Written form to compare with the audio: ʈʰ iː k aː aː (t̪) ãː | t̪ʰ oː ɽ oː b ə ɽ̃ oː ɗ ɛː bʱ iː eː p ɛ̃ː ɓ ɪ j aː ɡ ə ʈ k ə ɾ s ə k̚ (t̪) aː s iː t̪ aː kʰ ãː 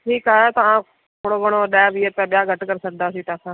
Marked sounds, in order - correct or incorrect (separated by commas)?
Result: correct, incorrect